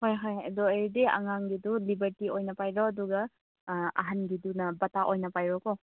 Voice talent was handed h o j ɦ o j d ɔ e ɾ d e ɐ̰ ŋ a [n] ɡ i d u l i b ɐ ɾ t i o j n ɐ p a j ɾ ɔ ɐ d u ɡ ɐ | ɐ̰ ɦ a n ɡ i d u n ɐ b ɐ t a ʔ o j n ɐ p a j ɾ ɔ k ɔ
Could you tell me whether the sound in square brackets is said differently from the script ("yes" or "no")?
yes